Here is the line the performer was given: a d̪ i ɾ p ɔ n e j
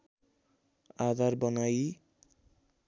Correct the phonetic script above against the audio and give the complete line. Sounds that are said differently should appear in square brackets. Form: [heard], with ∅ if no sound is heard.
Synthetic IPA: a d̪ [a] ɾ [b] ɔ n [a] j